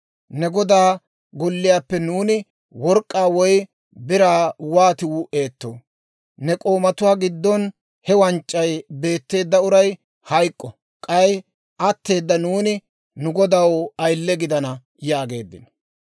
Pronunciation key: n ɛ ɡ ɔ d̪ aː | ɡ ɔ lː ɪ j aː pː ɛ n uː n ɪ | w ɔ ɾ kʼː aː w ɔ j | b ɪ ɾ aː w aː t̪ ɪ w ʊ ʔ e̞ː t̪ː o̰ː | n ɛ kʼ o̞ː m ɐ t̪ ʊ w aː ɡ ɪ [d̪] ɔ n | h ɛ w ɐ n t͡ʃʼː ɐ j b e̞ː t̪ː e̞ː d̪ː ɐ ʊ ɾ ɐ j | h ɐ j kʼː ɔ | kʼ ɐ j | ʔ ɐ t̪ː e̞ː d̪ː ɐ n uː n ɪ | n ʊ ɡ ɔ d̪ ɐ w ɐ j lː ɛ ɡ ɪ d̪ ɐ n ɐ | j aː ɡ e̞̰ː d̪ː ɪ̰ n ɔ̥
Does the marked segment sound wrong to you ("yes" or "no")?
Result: yes